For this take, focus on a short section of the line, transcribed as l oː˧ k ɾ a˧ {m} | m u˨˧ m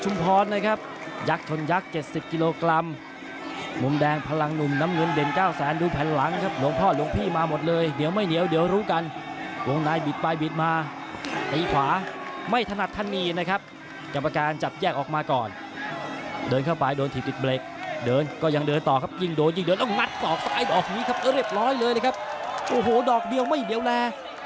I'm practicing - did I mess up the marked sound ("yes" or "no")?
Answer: no